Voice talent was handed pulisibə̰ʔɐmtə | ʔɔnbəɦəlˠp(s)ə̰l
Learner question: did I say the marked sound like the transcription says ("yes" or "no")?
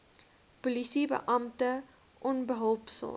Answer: yes